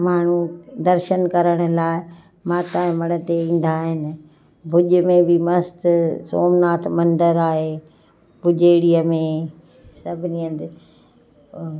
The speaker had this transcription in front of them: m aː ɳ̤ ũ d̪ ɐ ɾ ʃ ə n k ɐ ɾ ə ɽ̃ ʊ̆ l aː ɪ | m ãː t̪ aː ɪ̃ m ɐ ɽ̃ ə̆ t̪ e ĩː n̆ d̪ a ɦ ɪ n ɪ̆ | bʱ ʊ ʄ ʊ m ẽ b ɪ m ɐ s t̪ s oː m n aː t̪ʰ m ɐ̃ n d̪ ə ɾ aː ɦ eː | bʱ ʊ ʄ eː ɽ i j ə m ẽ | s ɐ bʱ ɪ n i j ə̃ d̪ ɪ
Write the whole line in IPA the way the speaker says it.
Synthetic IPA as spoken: m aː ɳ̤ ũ d̪ ɐ ɾ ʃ ə n k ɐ ɾ ə ɽ̃ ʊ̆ l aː ɪ | m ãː t̪ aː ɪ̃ m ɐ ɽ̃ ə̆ t̪ e ĩː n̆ d̪ a ɦ ɪ n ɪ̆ | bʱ ʊ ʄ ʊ m ẽ b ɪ m ɐ s t̪ s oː m n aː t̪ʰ m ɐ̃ n d̪ ə ɾ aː ɦ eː | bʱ ʊ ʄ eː ɽ i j ə m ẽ | s ɐ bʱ ɪ n i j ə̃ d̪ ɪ